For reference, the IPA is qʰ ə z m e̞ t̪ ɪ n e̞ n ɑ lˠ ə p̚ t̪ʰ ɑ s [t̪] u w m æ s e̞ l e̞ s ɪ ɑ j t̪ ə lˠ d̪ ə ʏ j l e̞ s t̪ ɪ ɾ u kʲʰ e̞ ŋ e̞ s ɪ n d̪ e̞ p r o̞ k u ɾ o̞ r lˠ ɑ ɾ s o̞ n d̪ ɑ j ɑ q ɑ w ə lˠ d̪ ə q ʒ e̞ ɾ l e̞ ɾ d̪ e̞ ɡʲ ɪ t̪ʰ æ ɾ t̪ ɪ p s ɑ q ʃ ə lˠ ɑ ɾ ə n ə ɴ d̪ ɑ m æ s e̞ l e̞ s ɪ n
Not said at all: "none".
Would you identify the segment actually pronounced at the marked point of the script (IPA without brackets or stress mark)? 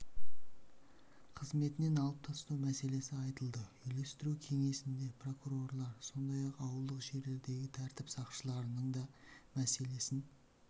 t̪